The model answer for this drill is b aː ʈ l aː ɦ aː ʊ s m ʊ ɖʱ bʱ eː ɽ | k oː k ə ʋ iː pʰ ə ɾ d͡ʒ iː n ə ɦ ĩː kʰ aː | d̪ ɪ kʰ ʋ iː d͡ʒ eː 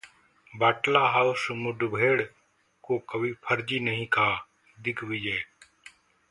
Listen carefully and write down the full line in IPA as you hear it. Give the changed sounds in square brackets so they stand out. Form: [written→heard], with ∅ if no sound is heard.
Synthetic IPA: b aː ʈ l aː ɦ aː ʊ s m ʊ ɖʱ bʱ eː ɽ | k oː k ə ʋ iː pʰ ə ɾ d͡ʒ iː n ə ɦ ĩː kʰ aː | d̪ ɪ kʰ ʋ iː d͡ʒ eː